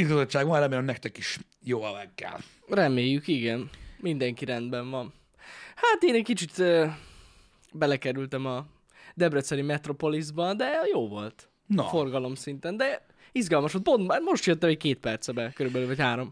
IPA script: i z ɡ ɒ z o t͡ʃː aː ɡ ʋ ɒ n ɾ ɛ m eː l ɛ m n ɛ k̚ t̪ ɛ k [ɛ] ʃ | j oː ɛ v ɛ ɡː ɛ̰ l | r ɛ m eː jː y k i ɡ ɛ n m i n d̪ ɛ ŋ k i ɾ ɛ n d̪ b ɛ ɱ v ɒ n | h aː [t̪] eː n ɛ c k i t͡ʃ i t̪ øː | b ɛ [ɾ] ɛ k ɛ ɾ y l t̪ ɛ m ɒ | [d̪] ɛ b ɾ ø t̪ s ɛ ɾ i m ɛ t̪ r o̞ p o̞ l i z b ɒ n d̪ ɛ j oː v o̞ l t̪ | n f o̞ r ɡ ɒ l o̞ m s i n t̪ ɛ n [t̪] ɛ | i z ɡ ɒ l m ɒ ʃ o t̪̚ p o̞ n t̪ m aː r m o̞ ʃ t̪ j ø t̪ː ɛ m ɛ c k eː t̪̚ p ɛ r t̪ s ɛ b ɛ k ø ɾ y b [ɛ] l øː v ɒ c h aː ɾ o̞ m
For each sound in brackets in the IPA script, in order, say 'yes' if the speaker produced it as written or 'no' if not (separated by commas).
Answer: no, yes, no, yes, no, yes